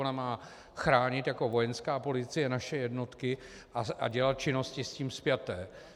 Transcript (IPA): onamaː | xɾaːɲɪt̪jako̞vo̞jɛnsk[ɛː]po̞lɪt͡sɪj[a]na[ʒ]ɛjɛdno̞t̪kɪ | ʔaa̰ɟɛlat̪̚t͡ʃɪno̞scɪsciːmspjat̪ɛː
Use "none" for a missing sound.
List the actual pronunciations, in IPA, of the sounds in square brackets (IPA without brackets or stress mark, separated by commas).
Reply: aː, ɛ, ʃ